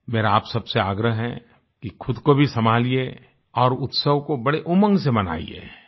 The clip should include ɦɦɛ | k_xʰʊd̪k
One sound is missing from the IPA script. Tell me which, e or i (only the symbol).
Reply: i